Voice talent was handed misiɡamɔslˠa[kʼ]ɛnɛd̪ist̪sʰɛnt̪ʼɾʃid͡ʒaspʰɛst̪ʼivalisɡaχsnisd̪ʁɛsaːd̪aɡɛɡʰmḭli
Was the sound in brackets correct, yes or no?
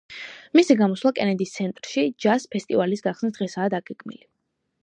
yes